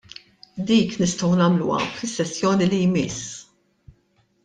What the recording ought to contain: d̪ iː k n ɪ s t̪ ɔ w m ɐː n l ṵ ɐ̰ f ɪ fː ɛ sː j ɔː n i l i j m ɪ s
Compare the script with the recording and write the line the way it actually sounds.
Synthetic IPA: d̪ iː k n ɪ s t̪ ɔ w n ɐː m l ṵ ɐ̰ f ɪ sː ɛ sː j ɔː n i l i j m ɪ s

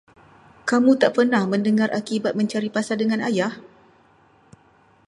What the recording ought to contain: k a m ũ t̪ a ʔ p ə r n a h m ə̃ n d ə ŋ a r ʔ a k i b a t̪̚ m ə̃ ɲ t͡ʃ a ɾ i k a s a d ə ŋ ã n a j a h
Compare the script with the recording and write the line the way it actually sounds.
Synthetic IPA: k a m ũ t̪ a ʔ p ə r n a h m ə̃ n d ə ŋ a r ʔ a k i b a t̪̚ m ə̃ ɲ t͡ʃ a ɾ i p a s a d ə ŋ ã n a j a h

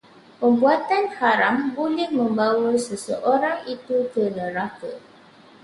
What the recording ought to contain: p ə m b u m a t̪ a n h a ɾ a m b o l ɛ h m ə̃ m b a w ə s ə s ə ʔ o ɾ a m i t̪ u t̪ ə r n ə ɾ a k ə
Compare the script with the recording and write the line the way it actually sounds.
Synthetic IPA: p ə m b u a t̪ a n h a ɾ a m b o l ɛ h m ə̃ m b a w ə s ə s ə ʔ o ɾ a ŋ i t̪ u t̪ ə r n ə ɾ a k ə

